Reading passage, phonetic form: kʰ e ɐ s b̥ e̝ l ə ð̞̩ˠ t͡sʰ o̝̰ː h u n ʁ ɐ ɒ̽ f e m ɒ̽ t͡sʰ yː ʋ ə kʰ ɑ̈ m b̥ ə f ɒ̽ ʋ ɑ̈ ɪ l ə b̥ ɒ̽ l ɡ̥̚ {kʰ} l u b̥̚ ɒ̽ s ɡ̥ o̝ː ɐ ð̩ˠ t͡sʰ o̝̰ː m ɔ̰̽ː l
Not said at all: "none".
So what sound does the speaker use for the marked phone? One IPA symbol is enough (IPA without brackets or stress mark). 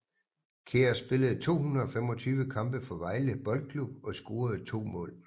kʰ